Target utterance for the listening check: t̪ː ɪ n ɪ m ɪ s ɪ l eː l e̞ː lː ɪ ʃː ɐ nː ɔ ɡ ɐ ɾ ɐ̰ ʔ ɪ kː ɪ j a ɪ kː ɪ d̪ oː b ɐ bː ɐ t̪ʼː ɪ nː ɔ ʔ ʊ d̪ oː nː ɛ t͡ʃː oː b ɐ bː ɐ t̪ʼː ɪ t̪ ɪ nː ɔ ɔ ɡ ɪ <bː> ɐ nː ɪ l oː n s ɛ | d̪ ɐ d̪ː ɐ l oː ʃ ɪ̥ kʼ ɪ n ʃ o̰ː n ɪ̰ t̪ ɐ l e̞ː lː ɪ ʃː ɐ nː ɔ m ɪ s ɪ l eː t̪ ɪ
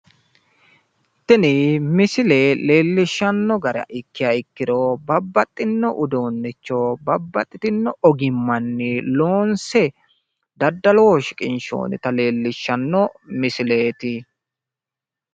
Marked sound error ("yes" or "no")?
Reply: yes